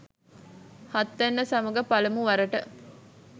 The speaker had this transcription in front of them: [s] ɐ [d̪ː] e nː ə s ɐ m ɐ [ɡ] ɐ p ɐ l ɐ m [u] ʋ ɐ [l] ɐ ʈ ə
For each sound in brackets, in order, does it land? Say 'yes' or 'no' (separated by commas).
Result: no, no, yes, yes, no